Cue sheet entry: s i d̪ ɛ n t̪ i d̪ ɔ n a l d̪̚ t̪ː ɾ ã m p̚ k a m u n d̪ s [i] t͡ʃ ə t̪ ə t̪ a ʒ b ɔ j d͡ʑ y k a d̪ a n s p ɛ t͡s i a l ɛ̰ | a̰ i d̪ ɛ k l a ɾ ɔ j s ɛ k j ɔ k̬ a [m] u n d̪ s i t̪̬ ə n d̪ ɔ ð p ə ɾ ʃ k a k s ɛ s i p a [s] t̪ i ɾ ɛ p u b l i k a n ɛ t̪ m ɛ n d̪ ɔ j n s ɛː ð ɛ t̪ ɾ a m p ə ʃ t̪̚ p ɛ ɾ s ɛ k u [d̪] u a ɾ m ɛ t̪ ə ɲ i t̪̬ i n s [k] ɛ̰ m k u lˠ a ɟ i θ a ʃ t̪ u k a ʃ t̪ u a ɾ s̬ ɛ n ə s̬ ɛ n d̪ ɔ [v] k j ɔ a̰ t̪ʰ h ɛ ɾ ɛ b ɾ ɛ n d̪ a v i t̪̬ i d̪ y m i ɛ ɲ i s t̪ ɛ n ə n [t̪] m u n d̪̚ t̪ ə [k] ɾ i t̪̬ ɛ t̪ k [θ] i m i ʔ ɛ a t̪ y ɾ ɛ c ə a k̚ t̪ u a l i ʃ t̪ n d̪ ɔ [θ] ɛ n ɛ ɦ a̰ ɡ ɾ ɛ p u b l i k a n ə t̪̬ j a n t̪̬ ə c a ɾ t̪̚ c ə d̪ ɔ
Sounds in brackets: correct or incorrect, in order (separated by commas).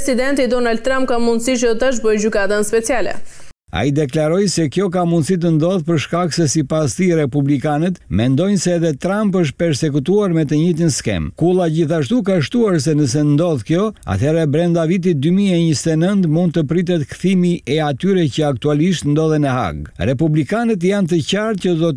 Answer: correct, correct, correct, incorrect, correct, incorrect, correct, incorrect, correct, incorrect